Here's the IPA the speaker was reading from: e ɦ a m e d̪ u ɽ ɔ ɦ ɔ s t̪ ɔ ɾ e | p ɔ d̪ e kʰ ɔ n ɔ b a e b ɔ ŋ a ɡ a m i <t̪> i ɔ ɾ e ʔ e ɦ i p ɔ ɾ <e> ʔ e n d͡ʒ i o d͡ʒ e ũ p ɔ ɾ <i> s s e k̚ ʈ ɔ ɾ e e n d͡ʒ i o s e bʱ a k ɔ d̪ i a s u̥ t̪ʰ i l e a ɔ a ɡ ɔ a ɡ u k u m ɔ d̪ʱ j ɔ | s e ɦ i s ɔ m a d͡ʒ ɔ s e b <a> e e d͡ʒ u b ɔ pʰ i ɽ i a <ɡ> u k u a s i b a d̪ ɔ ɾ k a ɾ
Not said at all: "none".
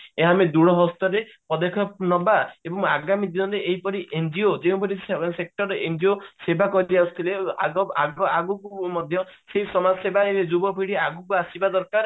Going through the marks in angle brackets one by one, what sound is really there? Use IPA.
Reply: d̪, i, i, a, ɡ

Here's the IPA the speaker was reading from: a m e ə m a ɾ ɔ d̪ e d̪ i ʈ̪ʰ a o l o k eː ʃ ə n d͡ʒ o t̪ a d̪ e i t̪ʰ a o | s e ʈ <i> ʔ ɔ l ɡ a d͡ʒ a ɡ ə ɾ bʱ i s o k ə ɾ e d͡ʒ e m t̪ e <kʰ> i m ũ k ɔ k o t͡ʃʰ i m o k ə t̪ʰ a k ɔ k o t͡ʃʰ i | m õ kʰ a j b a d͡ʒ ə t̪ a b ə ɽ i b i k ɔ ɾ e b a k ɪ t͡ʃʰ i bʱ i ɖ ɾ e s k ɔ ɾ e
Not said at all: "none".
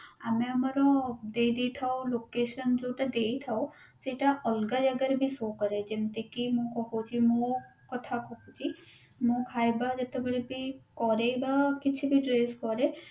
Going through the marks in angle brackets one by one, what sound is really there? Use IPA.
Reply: a, k

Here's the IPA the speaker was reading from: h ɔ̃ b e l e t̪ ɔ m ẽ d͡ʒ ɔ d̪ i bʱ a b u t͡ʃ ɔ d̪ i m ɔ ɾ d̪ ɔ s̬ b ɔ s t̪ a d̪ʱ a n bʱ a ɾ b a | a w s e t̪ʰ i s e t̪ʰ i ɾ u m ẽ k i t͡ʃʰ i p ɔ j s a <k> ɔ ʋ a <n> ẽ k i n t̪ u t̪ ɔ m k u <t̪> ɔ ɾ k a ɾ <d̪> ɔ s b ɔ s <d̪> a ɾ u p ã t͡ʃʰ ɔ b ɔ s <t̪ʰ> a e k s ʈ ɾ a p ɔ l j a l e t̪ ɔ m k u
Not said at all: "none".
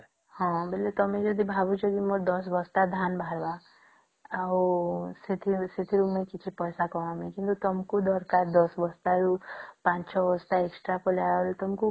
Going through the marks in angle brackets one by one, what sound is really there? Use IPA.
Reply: k, m, d̪, d̪, t̪, t̪

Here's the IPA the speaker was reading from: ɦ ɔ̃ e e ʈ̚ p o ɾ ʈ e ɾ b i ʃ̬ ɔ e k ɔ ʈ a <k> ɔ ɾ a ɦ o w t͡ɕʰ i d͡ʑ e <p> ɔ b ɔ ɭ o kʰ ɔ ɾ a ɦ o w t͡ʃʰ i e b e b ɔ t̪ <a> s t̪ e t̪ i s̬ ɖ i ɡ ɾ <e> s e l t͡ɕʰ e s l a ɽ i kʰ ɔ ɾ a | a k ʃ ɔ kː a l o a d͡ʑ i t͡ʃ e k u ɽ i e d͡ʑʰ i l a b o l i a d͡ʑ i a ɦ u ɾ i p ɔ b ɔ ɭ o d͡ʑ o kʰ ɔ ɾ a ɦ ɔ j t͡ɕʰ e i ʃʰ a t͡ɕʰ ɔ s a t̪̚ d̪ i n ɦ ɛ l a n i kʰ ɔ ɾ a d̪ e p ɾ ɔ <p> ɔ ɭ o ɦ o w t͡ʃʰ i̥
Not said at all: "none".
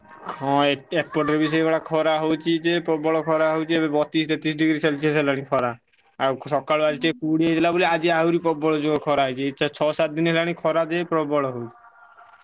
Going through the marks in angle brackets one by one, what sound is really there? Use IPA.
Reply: kʰ, p, i, i, b

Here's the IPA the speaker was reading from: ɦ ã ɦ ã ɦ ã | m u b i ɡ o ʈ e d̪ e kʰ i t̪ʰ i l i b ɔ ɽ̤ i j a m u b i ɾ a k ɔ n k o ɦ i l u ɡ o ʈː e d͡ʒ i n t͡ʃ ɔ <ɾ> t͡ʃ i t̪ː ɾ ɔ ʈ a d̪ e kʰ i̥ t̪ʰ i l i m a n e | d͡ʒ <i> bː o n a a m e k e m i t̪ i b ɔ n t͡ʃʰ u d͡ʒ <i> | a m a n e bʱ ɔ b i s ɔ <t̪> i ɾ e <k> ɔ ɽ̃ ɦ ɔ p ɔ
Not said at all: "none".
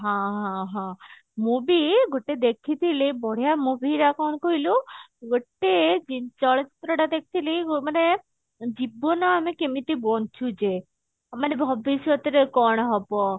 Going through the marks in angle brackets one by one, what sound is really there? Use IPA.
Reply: ɭ, i, e, t̪, k

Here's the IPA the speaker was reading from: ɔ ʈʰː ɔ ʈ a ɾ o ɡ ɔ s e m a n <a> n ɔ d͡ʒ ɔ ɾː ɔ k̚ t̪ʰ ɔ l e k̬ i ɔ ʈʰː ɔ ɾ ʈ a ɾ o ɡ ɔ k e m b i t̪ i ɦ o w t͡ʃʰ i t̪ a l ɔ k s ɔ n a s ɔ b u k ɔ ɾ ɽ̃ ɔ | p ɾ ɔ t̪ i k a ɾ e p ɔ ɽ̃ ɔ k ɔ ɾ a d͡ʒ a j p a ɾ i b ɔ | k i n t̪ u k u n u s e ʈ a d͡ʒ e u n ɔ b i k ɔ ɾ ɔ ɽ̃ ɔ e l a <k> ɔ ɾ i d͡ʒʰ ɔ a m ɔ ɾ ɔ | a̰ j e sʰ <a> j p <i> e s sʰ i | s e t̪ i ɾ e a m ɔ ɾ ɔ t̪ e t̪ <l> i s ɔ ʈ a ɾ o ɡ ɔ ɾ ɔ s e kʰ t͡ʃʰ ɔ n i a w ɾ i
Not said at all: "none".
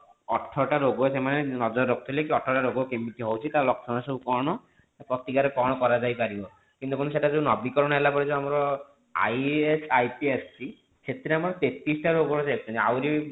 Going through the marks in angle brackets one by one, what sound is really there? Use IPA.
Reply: e, p, a, i, ɾ

